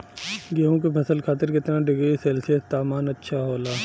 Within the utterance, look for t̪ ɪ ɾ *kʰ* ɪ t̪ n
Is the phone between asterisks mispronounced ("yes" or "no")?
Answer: yes